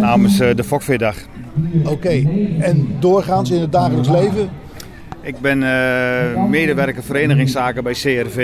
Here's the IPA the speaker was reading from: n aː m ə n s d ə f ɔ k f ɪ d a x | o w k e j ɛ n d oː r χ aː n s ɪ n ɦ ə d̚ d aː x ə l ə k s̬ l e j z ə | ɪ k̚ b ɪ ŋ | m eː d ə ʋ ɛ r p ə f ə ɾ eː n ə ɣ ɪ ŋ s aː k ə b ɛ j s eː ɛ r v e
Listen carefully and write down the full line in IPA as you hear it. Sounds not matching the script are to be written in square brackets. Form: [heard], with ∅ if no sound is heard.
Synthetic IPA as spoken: n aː m ə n s d ə f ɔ k f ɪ d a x | o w k e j ɛ n d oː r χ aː n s ɪ n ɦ ə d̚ d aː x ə l ə k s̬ l e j [v] ə | ɪ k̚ b ɪ [n] | m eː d ə ʋ ɛ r [k] ə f ə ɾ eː n ə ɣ ɪ ŋ s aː k ə b ɛ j s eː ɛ r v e